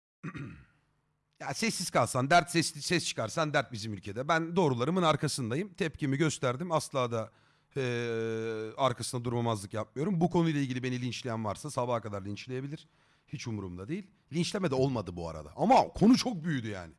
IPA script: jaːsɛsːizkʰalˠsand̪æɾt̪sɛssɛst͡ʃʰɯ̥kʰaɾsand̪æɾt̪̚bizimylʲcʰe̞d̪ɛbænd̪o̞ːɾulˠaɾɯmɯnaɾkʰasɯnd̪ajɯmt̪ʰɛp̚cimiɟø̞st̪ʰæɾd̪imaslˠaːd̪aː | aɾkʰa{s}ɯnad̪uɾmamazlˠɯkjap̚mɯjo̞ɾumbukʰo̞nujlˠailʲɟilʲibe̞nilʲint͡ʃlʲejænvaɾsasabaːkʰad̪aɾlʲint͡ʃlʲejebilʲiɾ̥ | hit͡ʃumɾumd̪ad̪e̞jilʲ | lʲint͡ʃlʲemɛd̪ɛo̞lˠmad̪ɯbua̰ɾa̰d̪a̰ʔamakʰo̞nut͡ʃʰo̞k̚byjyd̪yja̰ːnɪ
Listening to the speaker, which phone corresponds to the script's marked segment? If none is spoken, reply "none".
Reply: s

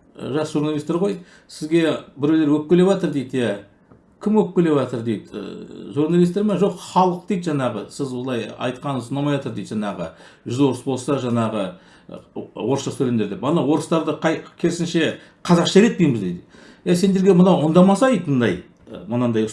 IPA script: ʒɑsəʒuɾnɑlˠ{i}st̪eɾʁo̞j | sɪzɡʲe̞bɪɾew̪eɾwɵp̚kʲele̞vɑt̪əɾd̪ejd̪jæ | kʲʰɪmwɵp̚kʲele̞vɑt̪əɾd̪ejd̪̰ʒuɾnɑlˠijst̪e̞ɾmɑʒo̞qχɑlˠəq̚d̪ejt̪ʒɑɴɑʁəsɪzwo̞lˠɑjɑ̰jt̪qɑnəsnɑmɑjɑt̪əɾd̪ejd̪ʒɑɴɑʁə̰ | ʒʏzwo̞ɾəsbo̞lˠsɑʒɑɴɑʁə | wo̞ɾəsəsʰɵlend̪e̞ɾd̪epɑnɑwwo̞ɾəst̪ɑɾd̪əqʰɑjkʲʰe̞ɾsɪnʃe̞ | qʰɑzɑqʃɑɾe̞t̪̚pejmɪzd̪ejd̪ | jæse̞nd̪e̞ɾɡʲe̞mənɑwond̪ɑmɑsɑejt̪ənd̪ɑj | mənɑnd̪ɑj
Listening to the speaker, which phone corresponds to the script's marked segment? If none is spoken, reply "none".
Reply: i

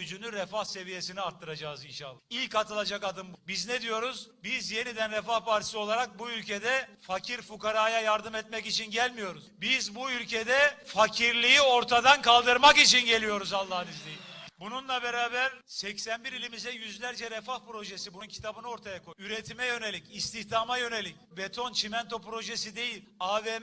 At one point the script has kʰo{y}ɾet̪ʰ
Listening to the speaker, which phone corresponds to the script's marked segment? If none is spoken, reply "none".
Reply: y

